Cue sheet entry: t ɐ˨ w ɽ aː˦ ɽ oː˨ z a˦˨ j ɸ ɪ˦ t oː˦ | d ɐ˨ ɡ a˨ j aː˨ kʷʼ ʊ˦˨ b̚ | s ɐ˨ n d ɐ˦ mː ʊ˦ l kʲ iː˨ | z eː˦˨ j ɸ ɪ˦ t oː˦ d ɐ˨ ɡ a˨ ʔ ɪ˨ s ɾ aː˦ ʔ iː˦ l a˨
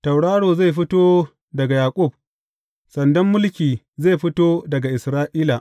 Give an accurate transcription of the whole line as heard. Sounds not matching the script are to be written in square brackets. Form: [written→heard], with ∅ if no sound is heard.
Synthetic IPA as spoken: t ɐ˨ w ɽ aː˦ ɽ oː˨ z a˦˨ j ɸ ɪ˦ t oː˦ | d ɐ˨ ɡ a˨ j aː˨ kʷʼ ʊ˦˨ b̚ | s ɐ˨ n d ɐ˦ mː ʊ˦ l kʲ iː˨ | z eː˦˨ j ɸ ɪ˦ t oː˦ d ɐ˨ ɡ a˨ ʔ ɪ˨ s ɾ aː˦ ʔ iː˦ l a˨